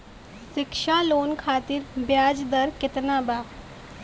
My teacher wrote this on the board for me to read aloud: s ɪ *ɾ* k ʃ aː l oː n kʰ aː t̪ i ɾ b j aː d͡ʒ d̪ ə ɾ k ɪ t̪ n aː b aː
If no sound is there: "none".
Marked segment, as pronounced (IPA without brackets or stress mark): none